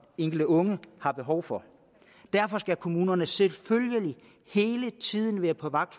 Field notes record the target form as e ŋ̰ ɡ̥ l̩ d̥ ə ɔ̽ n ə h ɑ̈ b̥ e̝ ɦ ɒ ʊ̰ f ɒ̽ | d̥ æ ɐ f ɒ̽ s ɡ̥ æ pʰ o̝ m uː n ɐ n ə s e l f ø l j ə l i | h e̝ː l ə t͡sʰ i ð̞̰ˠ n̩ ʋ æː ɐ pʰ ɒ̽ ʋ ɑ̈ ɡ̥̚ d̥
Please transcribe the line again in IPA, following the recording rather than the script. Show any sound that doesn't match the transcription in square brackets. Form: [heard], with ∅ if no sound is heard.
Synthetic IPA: e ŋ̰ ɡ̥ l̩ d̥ ə ɔ̽ [ŋ] ə h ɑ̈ b̥ e̝ ɦ ɒ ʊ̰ f ɒ̽ | d̥ æ ɐ f ɒ̽ s ɡ̥ æ [kʰ] o̝ m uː n ɐ n ə s e l f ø l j ə l i | h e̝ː l ə t͡sʰ i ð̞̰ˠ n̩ ʋ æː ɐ pʰ ɒ̽ ʋ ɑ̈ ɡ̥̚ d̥